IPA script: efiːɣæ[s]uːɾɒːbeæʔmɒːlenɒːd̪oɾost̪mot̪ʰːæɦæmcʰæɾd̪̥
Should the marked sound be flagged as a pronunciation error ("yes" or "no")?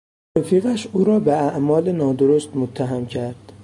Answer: yes